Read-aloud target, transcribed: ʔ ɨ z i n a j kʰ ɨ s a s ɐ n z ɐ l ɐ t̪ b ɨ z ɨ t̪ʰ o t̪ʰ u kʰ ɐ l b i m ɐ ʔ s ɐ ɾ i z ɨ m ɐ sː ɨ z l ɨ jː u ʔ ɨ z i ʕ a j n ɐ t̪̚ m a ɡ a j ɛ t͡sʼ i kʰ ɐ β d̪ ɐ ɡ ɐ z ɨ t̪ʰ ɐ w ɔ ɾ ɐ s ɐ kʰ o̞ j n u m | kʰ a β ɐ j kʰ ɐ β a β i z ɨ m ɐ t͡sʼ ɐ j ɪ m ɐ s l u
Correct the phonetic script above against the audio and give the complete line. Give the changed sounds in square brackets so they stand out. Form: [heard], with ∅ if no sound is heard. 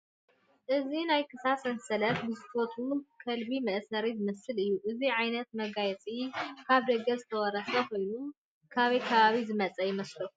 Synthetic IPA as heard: ʔ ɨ z i n a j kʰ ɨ s a s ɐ n [s] ɐ l ɐ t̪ b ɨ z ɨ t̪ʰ o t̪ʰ u kʰ ɐ l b i m ɐ ʔ s ɐ ɾ i z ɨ m ɐ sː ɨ [∅] l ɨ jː u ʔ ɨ z i ʕ a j n ɐ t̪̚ m [ɐ] ɡ a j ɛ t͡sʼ i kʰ [a] β d̪ ɐ ɡ ɐ z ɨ t̪ʰ ɐ w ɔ ɾ ɐ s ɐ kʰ o̞ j n u m | kʰ a β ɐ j kʰ ɐ β a β i z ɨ m ɐ t͡sʼ ɐ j ɪ m ɐ s l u